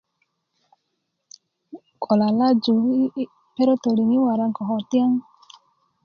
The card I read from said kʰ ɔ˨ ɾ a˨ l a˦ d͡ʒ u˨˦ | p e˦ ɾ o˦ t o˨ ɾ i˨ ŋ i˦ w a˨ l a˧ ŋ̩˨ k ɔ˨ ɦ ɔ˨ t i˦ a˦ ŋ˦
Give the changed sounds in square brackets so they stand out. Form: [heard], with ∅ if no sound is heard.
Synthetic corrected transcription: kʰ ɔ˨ [l] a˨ l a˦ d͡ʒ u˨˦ | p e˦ ɾ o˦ t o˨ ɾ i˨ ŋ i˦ w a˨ [ɾ] a˧ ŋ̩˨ k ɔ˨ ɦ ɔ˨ t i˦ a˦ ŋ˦